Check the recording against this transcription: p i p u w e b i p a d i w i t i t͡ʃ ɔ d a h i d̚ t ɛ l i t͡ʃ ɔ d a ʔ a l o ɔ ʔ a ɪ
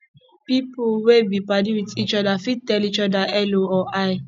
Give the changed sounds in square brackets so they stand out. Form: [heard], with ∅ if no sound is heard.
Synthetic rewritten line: p i p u w e b i p a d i w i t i t͡ʃ ɔ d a [f] i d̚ t ɛ l i t͡ʃ ɔ d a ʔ [ɛ] l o ɔ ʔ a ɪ